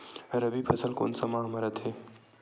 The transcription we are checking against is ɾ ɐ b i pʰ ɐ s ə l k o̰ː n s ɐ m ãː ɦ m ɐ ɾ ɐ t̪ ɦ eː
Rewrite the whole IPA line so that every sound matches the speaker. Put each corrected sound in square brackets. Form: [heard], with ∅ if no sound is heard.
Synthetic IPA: ɾ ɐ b i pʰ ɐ s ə l k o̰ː n s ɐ m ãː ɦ m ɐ ɾ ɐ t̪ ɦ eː